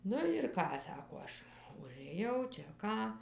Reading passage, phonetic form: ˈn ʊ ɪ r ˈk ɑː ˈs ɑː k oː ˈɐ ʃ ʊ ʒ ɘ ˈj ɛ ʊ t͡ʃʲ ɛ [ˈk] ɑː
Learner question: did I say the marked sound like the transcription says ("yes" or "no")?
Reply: yes